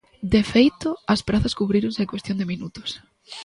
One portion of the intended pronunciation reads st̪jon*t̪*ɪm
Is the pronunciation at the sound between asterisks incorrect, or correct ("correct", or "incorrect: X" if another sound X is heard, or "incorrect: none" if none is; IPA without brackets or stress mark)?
incorrect: d̪